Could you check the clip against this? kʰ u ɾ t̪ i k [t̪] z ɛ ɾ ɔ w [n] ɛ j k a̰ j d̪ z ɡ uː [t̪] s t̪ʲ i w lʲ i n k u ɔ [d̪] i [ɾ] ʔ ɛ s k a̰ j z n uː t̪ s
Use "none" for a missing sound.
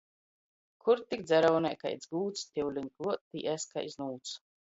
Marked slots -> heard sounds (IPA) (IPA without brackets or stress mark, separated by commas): d̪, n, t̪, t̪, none